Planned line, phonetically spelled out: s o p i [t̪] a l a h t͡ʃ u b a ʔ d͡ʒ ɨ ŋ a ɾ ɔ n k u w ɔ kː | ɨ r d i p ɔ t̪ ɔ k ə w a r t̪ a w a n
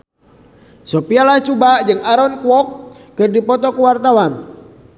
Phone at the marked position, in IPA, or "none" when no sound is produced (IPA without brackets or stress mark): none